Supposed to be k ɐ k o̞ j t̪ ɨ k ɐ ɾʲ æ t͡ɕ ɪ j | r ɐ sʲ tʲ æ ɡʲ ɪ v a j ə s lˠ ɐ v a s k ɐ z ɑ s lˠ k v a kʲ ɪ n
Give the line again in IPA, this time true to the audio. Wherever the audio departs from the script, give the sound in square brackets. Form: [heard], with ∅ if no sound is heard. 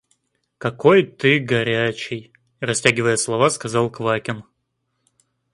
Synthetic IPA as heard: k ɐ k o̞ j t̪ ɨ [ɡ] ɐ ɾʲ æ t͡ɕ ɪ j | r ɐ sʲ tʲ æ ɡʲ ɪ v [ə] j ə s lˠ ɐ v a s k ɐ z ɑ [∅] lˠ k v a kʲ ɪ n